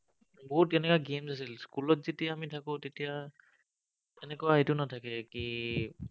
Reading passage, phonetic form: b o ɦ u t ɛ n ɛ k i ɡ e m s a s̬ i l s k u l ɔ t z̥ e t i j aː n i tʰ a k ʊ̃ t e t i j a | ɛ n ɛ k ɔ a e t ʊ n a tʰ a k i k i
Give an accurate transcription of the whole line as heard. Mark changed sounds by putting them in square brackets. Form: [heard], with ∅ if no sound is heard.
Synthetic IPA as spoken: b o ɦ u t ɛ n ɛ k [a] ɡ e m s a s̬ i l s k u l ɔ t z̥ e t i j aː [m] i tʰ a k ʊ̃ t e t i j a | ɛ n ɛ k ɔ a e t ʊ n a tʰ a k [ɛ] k i